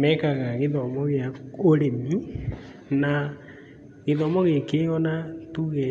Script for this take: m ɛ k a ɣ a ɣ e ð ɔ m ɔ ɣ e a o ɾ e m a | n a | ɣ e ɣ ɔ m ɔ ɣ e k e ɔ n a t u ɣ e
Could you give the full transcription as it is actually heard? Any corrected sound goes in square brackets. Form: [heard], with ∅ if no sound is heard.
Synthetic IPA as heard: m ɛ k a ɣ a ɣ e ð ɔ m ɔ ɣ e a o ɾ e m [i] | n a | ɣ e [ð] ɔ m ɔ ɣ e k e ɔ n a t u ɣ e